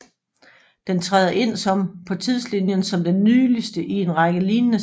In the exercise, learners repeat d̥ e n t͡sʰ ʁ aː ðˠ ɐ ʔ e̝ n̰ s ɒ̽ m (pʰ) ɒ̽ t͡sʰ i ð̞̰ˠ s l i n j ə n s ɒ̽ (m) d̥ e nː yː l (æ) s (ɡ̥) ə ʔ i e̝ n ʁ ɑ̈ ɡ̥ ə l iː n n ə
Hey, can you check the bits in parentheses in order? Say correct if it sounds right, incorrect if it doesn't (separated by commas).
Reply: correct, correct, incorrect, incorrect